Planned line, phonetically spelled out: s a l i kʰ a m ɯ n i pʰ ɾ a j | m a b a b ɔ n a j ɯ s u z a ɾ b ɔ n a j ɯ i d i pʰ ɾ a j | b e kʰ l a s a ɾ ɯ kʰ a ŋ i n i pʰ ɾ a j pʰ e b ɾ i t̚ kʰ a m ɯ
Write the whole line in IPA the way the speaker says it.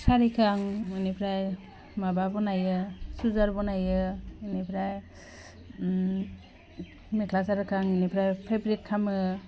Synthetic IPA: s a ɾ i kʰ a ŋ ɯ n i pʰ ɾ a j | m a b a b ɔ n a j ɯ s u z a ɾ b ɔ n a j ɯ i n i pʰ ɾ a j | m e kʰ l a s a ɾ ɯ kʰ a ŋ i n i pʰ ɾ a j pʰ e b ɾ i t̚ kʰ a m ɯ